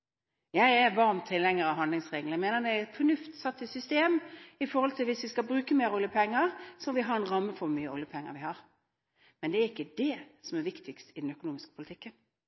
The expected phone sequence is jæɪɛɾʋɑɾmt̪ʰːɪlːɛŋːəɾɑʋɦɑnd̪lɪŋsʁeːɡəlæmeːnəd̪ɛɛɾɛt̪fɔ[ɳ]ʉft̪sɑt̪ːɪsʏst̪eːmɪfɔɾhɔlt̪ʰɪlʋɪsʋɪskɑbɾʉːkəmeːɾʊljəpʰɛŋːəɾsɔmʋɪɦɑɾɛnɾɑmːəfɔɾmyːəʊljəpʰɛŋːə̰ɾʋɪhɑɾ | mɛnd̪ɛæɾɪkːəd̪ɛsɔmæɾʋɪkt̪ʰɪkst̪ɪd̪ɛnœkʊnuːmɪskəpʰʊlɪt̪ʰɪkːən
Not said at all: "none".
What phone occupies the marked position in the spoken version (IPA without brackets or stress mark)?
n